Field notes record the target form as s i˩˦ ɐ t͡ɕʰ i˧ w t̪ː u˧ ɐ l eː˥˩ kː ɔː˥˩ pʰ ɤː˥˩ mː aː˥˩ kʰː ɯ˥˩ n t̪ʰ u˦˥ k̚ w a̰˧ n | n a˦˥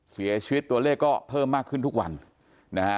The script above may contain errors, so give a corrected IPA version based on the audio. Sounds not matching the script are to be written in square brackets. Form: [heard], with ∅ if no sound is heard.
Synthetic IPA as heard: s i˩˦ ɐ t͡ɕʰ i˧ w t̪ː u˧ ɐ l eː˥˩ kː ɔː˥˩ pʰ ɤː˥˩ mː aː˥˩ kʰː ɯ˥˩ n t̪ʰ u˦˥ k̚ w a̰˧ n | n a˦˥